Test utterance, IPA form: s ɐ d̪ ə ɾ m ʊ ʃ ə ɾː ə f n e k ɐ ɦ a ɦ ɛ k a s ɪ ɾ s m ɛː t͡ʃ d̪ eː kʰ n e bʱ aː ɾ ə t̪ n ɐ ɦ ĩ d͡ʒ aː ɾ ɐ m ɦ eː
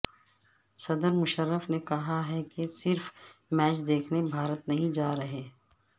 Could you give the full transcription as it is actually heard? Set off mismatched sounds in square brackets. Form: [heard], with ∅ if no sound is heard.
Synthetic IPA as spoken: s ɐ d̪ ə ɾ m ʊ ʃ ə ɾː ə f n e k ɐ ɦ a ɦ ɛ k [e] s ɪ ɾ [f] m ɛː t͡ʃ d̪ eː kʰ n e bʱ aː ɾ ə t̪ n ɐ ɦ ĩ d͡ʒ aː ɾ ɐ [∅] ɦ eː